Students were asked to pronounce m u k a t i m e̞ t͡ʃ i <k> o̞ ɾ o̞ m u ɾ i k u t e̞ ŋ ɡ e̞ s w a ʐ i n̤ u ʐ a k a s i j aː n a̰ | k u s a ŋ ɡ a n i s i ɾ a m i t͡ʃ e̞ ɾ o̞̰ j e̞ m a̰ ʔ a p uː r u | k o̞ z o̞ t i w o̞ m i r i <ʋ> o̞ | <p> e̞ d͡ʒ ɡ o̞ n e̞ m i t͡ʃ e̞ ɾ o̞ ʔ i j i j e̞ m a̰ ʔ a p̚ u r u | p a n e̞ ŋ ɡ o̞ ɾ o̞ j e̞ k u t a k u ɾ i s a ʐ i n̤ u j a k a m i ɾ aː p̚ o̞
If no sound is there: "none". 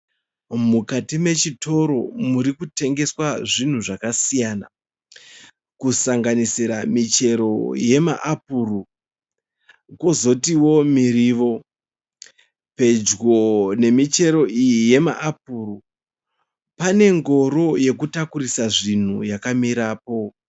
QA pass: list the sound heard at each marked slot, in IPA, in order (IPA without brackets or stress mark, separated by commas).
t, ʋ, p